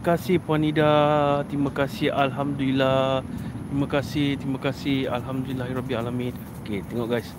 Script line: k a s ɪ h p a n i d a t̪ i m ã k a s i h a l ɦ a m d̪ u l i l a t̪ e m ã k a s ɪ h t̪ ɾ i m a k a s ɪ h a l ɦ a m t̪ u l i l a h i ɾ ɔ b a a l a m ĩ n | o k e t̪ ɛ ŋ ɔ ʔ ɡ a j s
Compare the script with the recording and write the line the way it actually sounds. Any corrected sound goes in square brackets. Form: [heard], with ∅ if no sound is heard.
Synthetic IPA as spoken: k a s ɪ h p a n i d a t̪ i m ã k a s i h a l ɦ a m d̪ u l i l a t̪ [i] m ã k a s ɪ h t̪ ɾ i m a k a s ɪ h a l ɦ a m [d̪] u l i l a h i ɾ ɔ b [i] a l a m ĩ n | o k e t̪ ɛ ŋ ɔ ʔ ɡ a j s